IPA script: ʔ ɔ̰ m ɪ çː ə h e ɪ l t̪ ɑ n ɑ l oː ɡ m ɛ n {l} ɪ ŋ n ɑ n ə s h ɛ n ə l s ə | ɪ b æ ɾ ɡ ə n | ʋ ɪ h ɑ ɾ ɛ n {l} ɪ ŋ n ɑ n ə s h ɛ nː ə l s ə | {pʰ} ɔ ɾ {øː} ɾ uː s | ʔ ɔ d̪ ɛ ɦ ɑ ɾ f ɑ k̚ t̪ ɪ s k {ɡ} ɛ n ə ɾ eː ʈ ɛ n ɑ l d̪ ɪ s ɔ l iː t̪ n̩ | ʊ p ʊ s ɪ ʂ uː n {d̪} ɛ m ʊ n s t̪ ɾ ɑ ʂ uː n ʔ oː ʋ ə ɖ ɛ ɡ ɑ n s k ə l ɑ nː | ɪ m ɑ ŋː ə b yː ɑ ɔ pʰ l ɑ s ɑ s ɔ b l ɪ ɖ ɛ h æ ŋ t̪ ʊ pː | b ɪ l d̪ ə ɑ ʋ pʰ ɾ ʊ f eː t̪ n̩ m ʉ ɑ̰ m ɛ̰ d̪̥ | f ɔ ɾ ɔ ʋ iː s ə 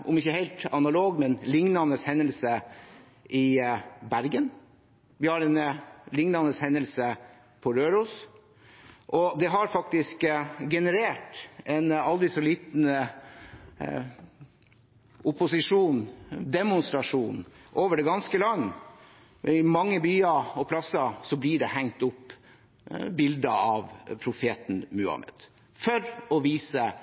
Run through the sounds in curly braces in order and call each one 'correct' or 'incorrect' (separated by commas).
correct, correct, correct, correct, correct, correct